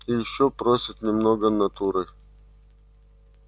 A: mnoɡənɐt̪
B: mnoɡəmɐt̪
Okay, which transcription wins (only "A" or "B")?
A